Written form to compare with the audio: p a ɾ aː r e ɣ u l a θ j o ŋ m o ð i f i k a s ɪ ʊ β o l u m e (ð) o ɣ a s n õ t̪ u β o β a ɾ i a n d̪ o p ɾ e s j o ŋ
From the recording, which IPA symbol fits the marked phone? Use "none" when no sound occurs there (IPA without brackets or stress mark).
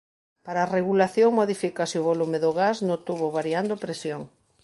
ð